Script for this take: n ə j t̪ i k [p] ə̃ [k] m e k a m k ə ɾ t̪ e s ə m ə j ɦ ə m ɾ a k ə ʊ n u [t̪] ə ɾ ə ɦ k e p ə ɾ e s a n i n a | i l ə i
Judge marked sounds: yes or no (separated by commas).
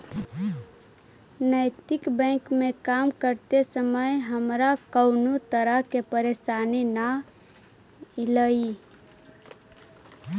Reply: no, yes, yes